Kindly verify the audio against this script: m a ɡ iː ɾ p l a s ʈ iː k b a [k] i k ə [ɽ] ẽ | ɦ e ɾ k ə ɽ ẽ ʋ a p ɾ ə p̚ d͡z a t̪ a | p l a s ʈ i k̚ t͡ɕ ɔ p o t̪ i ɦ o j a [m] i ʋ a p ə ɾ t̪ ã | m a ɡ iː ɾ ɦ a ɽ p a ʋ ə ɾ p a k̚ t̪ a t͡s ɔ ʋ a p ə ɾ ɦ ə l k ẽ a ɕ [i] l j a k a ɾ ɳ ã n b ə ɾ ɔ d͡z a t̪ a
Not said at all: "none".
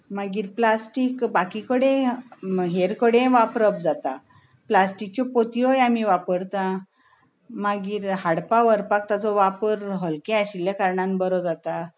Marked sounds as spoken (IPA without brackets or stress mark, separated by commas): k, ɽ, m, i